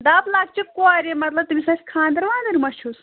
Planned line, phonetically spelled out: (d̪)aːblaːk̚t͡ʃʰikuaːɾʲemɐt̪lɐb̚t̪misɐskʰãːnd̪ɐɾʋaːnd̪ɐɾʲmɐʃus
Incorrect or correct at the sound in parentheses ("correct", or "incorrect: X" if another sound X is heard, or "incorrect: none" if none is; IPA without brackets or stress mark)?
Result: correct